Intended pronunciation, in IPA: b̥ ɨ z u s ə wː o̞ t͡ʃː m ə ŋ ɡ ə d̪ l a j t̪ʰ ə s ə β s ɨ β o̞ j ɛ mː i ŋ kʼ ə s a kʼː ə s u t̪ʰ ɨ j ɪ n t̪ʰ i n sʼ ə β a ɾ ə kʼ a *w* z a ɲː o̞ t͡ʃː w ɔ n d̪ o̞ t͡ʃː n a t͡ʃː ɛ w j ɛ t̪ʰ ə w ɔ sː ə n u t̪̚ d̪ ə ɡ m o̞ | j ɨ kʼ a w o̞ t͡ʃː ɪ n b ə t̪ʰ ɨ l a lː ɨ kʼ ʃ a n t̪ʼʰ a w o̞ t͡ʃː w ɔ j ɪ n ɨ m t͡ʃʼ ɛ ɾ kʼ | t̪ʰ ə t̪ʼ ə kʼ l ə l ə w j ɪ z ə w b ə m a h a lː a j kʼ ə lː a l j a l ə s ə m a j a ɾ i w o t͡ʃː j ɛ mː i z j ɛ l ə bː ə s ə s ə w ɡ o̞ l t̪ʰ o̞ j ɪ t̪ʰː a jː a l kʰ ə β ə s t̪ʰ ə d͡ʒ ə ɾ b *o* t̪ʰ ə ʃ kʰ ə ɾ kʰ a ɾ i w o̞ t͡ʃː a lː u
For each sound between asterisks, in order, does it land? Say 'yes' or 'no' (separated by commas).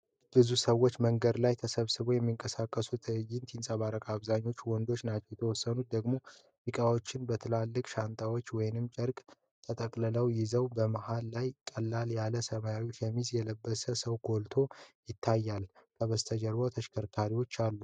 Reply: no, yes